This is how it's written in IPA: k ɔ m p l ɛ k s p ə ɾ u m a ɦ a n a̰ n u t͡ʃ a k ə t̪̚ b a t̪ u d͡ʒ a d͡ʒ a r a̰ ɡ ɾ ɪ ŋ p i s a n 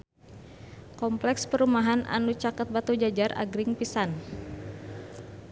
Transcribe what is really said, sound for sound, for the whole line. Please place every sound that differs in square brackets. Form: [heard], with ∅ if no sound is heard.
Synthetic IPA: k ɔ m p l ɛ k s p ə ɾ u m a ɦ a n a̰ n u t͡ʃ a k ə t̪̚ b a t̪ u d͡ʒ a d͡ʒ a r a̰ ɡ ɾ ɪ ŋ p i s a n